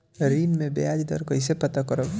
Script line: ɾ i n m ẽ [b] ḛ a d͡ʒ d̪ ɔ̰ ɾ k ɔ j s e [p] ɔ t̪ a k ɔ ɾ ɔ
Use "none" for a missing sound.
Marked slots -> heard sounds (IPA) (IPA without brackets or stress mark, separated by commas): b, p